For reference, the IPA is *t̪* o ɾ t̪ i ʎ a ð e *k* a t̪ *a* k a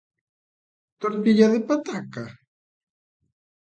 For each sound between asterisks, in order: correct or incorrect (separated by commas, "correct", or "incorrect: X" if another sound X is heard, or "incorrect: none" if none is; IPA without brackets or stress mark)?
correct, incorrect: p, correct